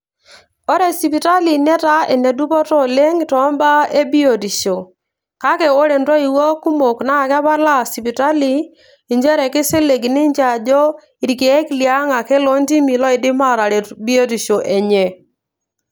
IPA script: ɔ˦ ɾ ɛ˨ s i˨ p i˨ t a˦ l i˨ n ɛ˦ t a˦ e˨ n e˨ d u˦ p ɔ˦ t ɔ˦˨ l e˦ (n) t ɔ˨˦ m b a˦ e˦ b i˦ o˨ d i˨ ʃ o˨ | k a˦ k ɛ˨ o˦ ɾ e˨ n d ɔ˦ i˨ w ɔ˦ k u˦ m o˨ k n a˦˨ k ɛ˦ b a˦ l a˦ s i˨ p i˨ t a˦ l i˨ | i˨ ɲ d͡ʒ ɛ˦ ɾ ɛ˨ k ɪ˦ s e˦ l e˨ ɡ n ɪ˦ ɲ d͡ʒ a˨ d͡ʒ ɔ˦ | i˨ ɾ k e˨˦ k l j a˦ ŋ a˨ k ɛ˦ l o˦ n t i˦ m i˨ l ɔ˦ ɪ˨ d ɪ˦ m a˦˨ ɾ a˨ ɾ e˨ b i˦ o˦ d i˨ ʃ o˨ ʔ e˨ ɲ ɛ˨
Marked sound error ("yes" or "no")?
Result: yes